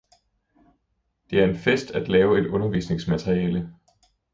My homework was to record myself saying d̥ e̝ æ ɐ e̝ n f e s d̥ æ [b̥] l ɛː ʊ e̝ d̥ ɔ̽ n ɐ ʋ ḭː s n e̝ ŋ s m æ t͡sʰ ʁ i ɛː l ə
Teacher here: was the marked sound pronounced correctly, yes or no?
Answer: no